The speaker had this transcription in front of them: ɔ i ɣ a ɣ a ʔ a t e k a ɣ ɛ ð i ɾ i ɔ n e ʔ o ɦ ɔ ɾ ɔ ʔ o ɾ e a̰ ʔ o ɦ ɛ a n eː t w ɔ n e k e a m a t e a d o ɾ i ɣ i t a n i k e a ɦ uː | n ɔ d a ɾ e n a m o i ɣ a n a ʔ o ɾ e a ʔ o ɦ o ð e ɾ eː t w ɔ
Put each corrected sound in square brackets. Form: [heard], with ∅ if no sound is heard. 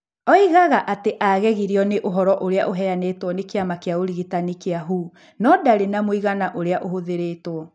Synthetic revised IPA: ɔ i ɣ a ɣ a ʔ a t e [ʔ] a ɣ ɛ [ɣ] i ɾ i ɔ n e ʔ o ɦ ɔ ɾ ɔ ʔ o ɾ e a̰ ʔ o ɦ ɛ a n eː t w ɔ n e k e a m a [k] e a [∅] o ɾ i ɣ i t a n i k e a ɦ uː | n ɔ d a ɾ e n a m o i ɣ a n a ʔ o ɾ e a ʔ o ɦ o ð e ɾ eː t w ɔ